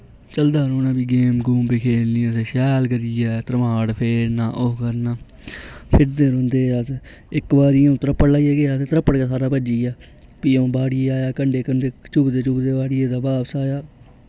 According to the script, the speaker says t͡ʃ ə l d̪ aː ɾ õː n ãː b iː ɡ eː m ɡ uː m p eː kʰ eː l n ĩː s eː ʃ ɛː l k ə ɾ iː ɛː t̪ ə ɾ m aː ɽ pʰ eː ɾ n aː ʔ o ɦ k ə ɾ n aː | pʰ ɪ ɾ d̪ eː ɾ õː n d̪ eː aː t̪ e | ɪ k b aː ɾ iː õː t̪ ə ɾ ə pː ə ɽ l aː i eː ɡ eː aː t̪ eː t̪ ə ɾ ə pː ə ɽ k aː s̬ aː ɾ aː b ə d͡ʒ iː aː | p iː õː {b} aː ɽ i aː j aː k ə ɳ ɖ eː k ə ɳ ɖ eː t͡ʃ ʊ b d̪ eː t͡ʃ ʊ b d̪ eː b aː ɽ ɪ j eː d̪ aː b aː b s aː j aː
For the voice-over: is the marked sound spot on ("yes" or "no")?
yes